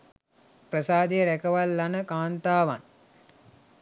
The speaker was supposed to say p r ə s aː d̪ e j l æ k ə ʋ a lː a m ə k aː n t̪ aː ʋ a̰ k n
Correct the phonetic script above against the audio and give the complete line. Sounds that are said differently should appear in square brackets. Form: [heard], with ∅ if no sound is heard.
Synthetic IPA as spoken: p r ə s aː d̪ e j [ɾ] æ k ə ʋ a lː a [n] ə k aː n t̪ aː ʋ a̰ [∅] n